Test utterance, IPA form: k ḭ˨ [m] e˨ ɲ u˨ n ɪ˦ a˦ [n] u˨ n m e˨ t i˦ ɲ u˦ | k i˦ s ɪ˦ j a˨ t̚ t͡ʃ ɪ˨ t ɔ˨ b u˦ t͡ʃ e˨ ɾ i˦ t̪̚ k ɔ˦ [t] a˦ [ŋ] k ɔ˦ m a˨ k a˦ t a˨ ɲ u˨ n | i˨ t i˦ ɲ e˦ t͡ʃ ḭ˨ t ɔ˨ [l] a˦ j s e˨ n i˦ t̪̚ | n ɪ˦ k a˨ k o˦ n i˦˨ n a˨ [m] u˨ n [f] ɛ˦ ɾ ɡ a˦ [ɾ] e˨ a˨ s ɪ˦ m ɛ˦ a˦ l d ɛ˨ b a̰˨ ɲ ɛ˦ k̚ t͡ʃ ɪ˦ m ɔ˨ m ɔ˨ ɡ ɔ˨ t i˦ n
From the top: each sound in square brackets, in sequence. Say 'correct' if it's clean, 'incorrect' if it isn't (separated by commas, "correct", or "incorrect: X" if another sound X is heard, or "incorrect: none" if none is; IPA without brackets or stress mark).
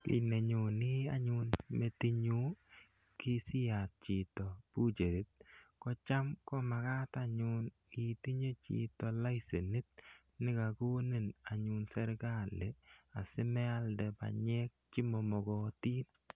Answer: incorrect: n, incorrect: ɲ, incorrect: t͡ʃ, incorrect: m, correct, incorrect: ɲ, incorrect: s, incorrect: l